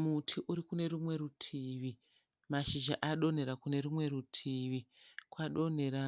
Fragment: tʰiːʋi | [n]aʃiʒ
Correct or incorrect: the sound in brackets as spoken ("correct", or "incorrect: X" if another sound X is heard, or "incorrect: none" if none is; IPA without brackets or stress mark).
incorrect: m